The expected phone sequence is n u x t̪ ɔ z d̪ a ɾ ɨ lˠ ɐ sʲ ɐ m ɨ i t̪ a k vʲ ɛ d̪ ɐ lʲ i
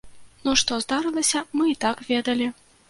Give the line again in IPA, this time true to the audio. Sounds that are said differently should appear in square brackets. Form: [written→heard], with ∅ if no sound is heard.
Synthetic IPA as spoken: n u [x→ʂ] t̪ ɔ z d̪ a ɾ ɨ lˠ ɐ sʲ ɐ m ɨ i t̪ a k vʲ ɛ d̪ ɐ lʲ i